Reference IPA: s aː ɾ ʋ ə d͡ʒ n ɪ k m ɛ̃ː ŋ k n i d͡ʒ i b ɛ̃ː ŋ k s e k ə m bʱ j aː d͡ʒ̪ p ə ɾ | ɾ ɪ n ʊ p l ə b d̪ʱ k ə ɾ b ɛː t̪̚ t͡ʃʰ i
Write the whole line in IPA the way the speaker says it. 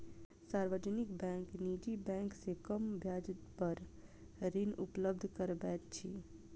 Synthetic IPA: s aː ɾ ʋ ə d͡ʒ n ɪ k b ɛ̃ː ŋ k n i d͡ʒ i b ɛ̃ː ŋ k s e k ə m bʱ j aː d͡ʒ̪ p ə ɾ | ɾ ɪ n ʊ p l ə b d̪ʱ k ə ɾ b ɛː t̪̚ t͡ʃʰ i